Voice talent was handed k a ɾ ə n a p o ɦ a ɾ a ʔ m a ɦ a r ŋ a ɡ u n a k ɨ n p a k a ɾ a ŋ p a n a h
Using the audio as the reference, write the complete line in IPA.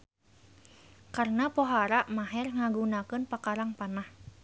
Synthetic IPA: k a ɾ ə n a p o ɦ a ɾ a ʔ m a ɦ ɛ r ŋ a ɡ u n a k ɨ n p a k a ɾ a ŋ p a n a h